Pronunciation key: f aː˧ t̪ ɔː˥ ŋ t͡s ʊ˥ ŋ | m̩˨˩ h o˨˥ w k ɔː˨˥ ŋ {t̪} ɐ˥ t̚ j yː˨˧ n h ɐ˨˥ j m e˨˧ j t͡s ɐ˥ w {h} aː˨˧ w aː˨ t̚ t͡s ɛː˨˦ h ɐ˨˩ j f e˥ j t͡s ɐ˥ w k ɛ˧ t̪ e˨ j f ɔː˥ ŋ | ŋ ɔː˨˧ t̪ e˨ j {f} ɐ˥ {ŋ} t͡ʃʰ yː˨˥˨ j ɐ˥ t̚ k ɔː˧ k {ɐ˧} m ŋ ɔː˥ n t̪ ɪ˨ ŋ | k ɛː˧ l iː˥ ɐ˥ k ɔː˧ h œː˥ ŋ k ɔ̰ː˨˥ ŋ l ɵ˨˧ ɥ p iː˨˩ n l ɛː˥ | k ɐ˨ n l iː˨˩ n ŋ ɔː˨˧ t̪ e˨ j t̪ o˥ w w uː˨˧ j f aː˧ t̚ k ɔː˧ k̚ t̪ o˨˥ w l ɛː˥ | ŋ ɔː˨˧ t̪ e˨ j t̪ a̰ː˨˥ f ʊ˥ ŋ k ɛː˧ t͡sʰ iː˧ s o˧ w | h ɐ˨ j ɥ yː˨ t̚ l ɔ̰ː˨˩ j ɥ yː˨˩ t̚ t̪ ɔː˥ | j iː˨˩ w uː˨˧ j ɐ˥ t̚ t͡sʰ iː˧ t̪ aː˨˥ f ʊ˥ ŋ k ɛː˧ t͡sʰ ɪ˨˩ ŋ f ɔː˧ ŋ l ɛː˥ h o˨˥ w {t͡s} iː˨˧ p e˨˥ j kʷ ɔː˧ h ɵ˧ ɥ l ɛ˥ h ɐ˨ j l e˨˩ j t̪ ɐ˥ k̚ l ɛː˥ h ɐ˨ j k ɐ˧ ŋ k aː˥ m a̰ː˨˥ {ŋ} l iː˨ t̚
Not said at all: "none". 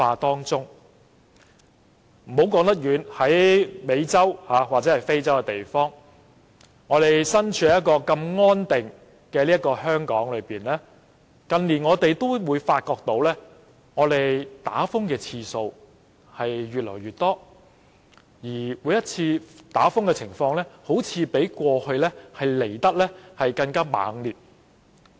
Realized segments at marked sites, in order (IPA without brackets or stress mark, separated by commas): t̪, h, s, n, ɐ˧, t͡sʰ, ŋ